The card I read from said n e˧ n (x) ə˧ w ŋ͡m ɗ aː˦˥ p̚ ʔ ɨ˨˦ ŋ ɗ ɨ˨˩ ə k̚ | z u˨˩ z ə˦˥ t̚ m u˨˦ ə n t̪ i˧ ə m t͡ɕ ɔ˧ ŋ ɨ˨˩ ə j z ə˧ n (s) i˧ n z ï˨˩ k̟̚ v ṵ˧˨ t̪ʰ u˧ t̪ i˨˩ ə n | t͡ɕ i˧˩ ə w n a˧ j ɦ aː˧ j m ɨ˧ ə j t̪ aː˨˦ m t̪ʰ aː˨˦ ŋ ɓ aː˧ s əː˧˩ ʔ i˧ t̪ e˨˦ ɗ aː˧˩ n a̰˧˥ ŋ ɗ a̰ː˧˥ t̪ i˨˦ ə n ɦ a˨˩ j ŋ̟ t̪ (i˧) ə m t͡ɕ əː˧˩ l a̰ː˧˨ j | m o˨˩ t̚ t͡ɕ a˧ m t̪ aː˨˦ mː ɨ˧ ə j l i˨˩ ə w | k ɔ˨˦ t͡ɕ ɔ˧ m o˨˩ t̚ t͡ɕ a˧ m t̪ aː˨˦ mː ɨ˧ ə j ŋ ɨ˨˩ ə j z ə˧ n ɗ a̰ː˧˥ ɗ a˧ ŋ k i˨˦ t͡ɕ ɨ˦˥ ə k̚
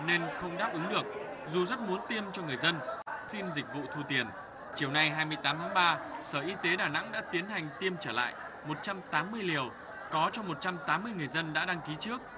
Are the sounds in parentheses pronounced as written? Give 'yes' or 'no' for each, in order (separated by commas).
yes, yes, yes